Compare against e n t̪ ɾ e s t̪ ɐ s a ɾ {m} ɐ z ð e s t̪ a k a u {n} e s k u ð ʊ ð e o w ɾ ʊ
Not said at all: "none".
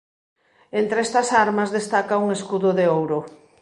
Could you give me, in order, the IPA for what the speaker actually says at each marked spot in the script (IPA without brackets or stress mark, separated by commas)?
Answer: m, ŋ